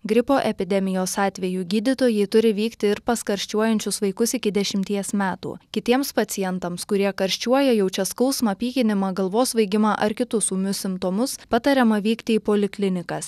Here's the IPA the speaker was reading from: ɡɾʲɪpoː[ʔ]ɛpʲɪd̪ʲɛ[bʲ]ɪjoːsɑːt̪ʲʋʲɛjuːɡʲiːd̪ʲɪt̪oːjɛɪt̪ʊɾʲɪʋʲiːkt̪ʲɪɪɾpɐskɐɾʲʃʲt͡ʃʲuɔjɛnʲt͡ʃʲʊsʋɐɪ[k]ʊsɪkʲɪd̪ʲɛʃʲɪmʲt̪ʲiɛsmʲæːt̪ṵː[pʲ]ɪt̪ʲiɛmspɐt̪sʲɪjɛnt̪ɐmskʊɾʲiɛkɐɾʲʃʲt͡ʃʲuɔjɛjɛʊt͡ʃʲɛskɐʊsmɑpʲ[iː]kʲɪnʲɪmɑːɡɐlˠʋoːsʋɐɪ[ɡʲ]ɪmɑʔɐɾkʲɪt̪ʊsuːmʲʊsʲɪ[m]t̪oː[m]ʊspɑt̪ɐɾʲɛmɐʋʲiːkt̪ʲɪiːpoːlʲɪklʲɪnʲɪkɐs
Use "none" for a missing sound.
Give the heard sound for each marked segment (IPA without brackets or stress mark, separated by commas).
ʔ, mʲ, k, kʲ, iː, ɡʲ, m, m